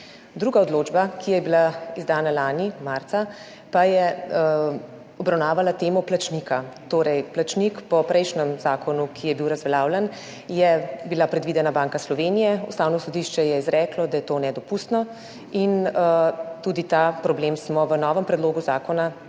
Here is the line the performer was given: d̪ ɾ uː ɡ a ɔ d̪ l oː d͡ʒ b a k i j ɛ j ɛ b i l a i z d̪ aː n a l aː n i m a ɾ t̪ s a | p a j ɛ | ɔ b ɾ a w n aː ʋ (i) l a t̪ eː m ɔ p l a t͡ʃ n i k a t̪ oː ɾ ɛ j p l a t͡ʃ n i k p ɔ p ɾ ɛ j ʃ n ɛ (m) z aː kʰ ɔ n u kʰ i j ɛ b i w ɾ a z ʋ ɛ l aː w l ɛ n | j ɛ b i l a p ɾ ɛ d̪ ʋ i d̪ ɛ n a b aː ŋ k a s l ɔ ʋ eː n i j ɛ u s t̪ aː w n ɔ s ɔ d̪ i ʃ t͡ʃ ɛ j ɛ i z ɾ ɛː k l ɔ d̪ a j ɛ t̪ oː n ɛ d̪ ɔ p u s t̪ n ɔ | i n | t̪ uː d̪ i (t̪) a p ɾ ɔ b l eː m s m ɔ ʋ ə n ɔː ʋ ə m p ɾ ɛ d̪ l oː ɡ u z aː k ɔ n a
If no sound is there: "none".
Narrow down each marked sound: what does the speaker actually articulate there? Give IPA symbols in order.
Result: a, m, t̪

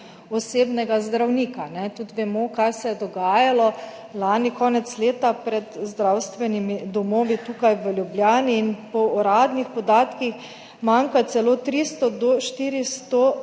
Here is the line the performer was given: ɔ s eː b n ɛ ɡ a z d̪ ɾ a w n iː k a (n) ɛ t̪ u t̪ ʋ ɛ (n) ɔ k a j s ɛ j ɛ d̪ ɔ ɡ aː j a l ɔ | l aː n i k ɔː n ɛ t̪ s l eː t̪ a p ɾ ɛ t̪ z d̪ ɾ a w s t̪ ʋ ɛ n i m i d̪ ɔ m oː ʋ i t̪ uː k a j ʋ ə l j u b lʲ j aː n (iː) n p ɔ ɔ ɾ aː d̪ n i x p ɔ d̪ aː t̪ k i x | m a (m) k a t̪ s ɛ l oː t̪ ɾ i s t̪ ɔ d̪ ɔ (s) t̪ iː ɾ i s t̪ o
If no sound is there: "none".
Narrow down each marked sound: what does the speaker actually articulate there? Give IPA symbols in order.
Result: n, m, iː, ŋ, ʃ

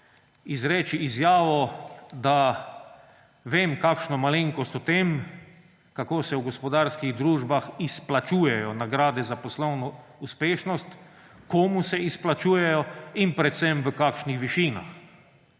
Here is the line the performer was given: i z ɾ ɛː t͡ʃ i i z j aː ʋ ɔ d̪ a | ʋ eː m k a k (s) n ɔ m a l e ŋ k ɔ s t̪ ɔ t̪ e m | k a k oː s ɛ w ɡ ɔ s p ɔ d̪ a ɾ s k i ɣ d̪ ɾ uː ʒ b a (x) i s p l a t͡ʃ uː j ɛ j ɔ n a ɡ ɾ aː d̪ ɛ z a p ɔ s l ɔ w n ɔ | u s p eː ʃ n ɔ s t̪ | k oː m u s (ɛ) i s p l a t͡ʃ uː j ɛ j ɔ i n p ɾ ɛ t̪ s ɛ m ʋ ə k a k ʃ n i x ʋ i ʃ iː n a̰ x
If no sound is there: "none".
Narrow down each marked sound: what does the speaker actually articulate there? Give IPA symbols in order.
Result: ʃ, x, ɛ

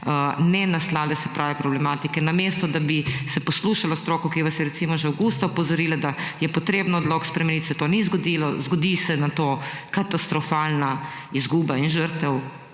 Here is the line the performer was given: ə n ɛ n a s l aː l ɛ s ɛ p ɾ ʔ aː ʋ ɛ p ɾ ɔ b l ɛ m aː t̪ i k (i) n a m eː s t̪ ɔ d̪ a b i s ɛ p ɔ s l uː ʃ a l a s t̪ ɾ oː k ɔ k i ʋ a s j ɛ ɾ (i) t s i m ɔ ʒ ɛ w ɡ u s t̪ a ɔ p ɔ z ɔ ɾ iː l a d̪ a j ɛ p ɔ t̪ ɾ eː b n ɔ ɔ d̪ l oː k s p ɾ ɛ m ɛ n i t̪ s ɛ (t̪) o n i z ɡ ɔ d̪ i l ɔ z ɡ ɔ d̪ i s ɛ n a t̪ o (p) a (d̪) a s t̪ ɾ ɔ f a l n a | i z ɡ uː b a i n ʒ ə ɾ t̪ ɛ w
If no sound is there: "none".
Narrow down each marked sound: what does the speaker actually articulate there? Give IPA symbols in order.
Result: ɛ, ɛ, t̪, k, t̪

